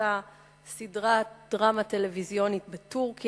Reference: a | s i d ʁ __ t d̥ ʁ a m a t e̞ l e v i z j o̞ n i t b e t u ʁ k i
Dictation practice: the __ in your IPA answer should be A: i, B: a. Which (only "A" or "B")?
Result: B